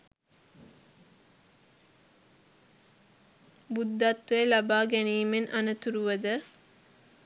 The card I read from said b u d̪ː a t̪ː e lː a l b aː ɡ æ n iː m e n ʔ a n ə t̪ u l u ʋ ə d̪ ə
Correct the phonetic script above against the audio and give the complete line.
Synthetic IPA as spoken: b u d̪ː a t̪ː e l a b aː ɡ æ n iː m e n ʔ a n ə t̪ u ɾ u ʋ ə d̪ ə